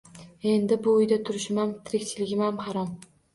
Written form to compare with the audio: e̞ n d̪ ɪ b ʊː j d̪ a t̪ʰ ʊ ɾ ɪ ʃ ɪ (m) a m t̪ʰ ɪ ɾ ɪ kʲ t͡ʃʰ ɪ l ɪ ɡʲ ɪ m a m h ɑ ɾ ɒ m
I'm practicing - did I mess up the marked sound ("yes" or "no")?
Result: no